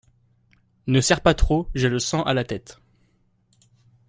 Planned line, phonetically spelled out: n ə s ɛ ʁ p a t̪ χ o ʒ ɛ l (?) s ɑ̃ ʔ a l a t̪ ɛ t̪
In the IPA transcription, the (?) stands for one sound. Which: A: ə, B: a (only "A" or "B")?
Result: A